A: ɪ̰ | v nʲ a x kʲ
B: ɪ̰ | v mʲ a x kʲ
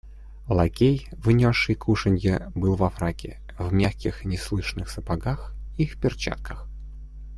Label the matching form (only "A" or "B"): B